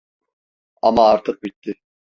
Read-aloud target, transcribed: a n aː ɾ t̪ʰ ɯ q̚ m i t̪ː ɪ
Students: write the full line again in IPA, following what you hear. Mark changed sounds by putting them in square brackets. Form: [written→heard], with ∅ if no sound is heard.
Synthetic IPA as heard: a [n→m] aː ɾ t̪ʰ ɯ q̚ [m→b] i t̪ː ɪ

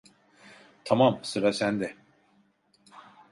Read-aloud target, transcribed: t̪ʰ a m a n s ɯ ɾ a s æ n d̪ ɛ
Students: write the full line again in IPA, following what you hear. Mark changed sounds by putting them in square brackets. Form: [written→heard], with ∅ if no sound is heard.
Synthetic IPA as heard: t̪ʰ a m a [n→m] s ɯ ɾ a s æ n d̪ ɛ

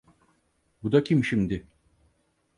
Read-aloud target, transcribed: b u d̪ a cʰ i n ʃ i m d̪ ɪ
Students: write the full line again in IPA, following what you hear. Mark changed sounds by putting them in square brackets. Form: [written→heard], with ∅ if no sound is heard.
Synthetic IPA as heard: b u d̪ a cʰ i [n→m] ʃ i m d̪ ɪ

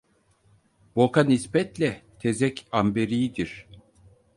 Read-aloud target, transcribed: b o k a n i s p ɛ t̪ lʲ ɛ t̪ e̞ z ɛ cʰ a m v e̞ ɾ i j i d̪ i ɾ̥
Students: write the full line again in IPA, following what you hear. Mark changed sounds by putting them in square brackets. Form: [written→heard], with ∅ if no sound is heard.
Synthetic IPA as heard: b o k a n i s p ɛ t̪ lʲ ɛ [t̪→t̪ʰ] e̞ z ɛ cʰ a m [v→b] e̞ ɾ i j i d̪ i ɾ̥

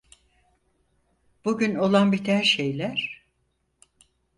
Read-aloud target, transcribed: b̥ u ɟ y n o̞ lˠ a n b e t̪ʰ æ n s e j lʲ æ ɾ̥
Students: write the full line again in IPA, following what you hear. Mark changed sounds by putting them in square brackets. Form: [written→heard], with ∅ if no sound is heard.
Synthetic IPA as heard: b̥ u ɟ y n o̞ lˠ a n b [e→i] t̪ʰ æ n [s→ʃ] e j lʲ æ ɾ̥

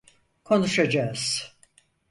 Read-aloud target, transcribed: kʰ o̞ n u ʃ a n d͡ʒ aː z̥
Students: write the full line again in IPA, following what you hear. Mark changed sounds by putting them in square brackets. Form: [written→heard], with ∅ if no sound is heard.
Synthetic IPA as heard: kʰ o̞ n u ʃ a [n→∅] d͡ʒ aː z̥

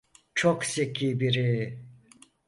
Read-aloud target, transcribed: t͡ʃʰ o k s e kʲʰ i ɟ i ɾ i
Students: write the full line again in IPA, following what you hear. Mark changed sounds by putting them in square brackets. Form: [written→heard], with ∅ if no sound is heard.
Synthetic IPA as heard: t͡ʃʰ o k s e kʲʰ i [ɟ→b] i ɾ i

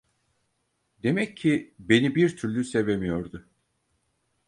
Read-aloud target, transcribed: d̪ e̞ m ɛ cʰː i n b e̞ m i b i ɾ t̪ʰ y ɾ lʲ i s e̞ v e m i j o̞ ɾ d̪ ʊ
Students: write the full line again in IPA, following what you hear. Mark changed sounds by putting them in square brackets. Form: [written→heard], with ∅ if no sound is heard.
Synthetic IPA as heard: d̪ e̞ m ɛ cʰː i [n→∅] b e̞ [m→n] i b i ɾ t̪ʰ y ɾ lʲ [i→y] s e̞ v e m i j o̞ ɾ d̪ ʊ

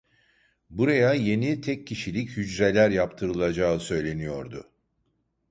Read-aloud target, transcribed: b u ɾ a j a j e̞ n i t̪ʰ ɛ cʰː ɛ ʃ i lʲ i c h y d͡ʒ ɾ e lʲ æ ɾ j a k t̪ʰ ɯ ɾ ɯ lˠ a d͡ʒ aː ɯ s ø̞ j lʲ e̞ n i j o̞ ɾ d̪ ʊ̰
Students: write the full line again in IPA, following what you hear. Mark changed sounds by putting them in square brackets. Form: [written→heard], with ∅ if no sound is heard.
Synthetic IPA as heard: b u ɾ a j a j e̞ n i t̪ʰ ɛ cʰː [ɛ→i] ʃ i lʲ i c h y d͡ʒ ɾ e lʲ æ ɾ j a [k→p] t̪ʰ ɯ ɾ ɯ lˠ a d͡ʒ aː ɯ s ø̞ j lʲ e̞ n i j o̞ ɾ d̪ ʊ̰

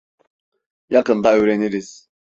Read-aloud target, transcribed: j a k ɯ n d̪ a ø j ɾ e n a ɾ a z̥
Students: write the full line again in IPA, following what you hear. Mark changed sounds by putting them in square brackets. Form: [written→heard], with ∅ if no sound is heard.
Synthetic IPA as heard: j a k ɯ n d̪ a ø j ɾ e n [a→i] ɾ [a→i] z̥

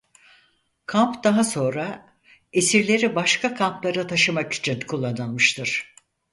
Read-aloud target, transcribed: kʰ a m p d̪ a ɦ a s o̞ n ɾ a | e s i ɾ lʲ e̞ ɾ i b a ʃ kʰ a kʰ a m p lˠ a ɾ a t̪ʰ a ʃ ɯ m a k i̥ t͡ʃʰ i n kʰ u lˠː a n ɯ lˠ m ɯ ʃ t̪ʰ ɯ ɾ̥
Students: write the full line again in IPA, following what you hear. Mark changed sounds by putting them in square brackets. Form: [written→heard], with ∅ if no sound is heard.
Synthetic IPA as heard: kʰ a m p d̪ a ɦ a s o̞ n ɾ a | e s i ɾ lʲ e̞ ɾ i b a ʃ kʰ a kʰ a m p lˠ a ɾ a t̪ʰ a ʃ ɯ m a k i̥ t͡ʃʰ i n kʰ u lˠː a n ɯ lˠ m ɯ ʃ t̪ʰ ɯ ɾ̥

